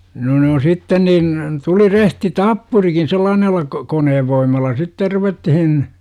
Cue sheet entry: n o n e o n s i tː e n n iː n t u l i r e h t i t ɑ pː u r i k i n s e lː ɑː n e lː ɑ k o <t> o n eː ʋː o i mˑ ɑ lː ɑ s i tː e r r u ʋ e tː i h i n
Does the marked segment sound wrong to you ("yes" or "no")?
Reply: yes